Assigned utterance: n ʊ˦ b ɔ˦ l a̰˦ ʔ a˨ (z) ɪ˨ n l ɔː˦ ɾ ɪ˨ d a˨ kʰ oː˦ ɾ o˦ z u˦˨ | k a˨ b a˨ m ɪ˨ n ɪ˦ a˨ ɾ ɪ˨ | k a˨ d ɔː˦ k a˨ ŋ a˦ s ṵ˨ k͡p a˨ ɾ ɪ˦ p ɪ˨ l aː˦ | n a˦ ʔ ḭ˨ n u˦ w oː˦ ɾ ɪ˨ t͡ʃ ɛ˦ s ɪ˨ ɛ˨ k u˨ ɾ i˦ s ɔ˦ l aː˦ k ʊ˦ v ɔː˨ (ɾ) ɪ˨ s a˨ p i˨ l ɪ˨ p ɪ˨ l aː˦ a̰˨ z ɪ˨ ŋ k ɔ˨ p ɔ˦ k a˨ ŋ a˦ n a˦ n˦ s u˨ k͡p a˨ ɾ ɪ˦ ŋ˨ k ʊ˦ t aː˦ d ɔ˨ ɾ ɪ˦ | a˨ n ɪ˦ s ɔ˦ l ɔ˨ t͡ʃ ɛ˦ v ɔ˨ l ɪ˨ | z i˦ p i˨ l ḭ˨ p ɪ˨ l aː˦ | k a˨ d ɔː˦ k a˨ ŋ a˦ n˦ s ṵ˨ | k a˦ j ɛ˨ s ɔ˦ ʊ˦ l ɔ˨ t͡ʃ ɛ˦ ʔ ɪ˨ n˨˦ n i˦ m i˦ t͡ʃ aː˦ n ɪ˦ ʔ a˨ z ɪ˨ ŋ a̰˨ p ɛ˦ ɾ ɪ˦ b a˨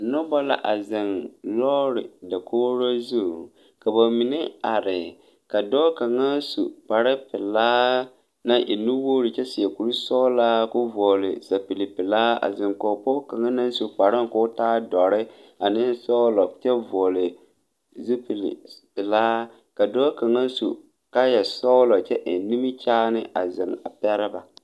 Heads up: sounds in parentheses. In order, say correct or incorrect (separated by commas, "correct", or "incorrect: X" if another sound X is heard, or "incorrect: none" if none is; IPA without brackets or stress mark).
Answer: correct, incorrect: l